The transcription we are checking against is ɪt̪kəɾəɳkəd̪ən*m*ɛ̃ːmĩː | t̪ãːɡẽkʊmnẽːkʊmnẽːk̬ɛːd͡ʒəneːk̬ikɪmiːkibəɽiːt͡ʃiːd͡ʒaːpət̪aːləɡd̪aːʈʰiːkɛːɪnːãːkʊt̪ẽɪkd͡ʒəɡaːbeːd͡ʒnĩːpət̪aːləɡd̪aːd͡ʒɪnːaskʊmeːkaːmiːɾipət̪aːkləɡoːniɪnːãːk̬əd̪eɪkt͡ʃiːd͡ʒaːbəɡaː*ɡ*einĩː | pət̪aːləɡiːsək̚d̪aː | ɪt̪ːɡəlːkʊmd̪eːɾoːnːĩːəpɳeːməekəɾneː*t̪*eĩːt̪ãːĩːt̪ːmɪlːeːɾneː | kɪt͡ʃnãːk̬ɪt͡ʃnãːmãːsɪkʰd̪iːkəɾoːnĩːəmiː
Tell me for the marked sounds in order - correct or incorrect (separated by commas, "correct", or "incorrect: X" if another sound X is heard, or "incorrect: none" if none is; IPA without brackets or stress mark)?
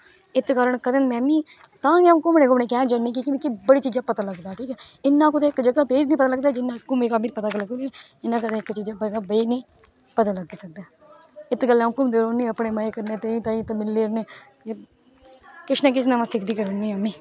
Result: correct, incorrect: b, correct